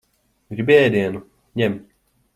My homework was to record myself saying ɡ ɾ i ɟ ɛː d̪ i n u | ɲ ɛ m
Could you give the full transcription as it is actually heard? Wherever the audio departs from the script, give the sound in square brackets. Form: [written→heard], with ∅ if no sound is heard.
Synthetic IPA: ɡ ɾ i [ɟ→b] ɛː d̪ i n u | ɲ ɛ m